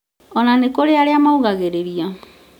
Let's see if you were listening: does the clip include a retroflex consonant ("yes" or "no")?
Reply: no